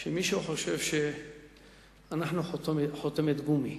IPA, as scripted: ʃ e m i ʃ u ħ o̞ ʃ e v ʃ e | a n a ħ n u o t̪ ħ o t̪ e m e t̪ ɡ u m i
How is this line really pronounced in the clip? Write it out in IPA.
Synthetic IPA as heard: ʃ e m i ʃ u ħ o̞ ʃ e v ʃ e | a n a ħ n u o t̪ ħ o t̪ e m e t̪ ɡ u m i